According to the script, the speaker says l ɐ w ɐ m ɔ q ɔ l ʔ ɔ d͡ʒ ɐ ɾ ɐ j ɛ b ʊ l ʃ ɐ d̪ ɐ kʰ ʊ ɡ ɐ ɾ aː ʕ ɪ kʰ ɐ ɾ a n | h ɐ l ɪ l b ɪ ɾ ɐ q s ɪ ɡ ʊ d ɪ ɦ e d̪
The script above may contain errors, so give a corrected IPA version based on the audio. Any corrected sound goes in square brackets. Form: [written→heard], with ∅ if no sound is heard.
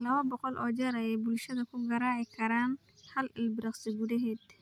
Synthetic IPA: l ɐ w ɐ [m→b] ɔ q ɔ l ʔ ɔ d͡ʒ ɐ ɾ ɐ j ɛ b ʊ l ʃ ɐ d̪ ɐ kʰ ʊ ɡ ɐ ɾ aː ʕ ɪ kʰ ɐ ɾ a n | h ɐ l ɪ l b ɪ ɾ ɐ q s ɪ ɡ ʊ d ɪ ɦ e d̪